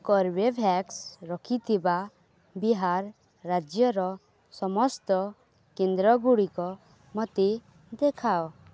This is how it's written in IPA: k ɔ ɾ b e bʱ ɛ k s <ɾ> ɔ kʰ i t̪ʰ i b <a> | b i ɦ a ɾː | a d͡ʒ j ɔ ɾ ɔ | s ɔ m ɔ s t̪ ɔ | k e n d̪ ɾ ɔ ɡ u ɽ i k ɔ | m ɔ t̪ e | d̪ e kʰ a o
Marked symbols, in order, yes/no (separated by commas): yes, yes